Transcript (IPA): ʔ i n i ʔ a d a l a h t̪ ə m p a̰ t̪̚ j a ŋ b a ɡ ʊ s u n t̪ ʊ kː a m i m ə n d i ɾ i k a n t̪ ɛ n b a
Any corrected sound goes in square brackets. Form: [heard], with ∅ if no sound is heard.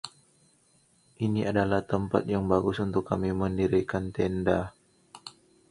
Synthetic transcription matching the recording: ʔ i n i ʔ a d a l a h t̪ ə m p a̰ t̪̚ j a ŋ b a ɡ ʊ s u n t̪ ʊ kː a m i m ə n d i ɾ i k a n t̪ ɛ n [d] a